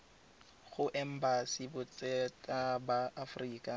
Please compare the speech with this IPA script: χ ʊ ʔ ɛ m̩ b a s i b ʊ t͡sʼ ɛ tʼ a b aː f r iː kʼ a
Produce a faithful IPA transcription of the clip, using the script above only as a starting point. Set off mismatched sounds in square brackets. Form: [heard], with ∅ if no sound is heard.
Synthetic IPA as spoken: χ ʊ ʔ ɛ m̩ b a s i b ʊ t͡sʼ ɛ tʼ a b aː f r iː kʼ a